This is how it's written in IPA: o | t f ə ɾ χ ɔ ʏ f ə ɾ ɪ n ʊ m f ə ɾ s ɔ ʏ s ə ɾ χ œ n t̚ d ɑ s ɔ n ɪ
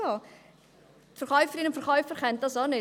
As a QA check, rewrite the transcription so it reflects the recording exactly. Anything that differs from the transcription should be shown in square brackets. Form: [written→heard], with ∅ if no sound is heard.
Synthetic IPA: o | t f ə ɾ χ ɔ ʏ f ə ɾ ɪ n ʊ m f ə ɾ [s→χ] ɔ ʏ [s→f] ə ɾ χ [œ→ɛ] n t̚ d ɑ s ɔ n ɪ